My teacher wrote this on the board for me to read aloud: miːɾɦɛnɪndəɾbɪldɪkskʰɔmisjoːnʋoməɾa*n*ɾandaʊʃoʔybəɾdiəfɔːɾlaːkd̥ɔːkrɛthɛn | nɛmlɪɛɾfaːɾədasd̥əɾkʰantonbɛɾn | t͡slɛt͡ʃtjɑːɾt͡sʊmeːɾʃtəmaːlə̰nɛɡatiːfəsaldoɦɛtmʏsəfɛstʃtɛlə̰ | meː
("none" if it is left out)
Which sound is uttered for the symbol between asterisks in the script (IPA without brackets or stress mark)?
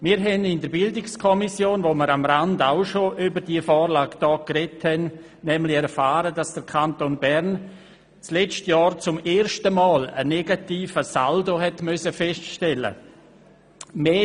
m